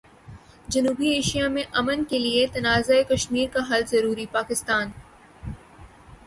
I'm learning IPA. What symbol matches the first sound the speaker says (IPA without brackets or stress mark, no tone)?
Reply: d͡ʒ